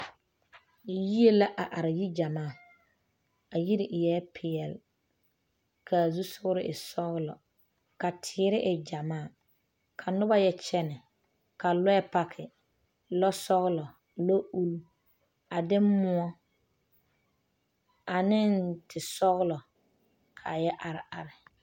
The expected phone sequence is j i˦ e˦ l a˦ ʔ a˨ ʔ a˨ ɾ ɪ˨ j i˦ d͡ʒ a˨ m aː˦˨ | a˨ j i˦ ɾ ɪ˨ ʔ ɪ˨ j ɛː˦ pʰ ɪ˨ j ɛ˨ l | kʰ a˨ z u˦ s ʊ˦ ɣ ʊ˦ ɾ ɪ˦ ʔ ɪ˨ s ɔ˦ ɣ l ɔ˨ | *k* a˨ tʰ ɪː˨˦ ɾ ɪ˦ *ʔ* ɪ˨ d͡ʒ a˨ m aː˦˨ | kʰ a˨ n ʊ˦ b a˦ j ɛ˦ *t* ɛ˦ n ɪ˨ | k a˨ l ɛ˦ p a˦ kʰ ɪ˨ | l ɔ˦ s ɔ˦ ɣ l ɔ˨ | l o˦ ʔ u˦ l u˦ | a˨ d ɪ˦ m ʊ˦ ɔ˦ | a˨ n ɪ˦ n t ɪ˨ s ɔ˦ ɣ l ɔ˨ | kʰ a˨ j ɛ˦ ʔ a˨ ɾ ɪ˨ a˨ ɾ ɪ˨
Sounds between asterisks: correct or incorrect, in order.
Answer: correct, correct, incorrect

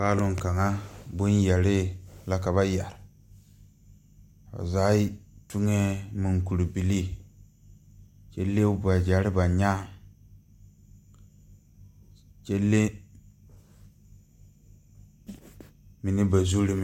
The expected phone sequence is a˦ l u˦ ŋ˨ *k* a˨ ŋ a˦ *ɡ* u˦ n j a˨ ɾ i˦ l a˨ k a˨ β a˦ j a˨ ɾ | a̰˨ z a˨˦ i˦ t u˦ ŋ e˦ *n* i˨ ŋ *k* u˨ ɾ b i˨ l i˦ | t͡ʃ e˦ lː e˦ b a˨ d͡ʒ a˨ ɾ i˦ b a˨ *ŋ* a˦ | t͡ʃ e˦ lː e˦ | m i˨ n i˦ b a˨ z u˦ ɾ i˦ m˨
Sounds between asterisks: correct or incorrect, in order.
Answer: correct, incorrect, incorrect, correct, incorrect

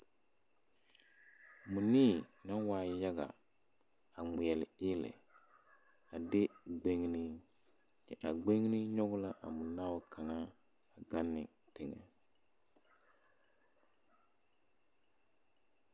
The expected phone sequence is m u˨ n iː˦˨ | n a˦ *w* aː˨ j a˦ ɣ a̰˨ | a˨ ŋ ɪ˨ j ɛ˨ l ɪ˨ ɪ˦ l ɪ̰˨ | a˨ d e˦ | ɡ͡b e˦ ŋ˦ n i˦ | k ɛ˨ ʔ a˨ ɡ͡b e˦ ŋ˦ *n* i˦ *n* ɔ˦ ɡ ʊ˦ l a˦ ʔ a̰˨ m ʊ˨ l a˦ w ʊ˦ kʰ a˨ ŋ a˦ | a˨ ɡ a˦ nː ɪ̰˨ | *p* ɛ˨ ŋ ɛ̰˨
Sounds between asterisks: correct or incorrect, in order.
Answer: correct, correct, incorrect, incorrect

